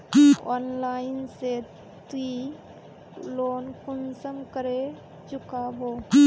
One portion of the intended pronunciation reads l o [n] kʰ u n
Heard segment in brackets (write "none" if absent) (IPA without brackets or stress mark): n